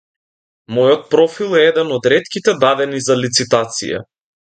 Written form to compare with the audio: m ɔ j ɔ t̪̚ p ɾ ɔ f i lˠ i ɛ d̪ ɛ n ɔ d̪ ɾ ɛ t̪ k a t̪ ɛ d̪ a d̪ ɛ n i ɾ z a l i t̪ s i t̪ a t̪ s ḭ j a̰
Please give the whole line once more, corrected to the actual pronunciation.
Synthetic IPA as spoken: m ɔ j ɔ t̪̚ p ɾ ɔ f i lˠ ɛ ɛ d̪ ɛ n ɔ d̪ ɾ ɛ t̪ k i t̪ ɛ d̪ a d̪ ɛ n i z a l i t̪ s i t̪ a t̪ s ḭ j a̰